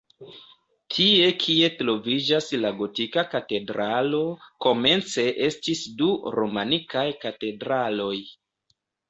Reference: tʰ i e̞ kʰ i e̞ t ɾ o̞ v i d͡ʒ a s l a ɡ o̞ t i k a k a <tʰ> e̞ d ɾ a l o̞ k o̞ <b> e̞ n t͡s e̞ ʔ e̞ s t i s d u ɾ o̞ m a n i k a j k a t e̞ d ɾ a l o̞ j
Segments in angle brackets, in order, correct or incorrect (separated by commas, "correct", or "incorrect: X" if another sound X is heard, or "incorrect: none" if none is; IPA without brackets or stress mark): incorrect: t, incorrect: m